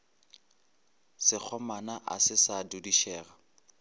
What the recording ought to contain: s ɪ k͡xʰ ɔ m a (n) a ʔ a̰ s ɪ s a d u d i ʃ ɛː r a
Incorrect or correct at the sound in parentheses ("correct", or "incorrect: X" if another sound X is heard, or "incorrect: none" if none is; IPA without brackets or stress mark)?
correct